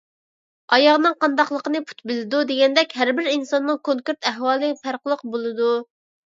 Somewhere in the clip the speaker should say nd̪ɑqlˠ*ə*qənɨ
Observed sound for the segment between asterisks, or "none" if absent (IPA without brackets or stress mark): ə